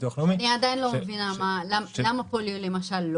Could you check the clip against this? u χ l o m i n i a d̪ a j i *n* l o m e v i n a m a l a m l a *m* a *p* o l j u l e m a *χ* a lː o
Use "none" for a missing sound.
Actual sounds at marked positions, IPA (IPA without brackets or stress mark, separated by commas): n, m, p, ʃ